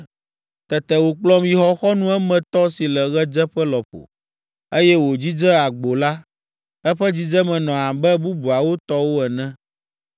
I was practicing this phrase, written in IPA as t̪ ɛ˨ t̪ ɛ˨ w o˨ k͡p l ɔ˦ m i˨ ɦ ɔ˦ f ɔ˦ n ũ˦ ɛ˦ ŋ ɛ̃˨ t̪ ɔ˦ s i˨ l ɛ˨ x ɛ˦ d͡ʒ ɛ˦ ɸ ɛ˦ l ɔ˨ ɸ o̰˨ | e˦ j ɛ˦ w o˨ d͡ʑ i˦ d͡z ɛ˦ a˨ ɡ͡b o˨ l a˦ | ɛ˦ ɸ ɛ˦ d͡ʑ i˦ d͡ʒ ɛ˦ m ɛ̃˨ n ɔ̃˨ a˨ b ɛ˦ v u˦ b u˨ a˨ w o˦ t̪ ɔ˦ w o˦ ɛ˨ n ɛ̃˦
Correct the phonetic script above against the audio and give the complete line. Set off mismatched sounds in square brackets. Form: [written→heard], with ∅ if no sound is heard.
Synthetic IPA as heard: t̪ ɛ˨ t̪ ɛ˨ w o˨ k͡p l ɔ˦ m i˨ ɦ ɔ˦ [f→x] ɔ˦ n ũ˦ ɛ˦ [ŋ→m] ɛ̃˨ t̪ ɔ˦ s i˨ l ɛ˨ [x→ɣ] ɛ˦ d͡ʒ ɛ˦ ɸ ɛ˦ l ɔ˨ ɸ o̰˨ | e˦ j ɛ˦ w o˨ d͡ʑ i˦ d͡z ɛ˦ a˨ ɡ͡b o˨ l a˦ | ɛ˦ ɸ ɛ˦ d͡ʑ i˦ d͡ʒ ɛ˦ m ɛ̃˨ n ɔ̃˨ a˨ b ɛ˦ [v→b] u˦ b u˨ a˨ w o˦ t̪ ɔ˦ w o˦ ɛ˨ n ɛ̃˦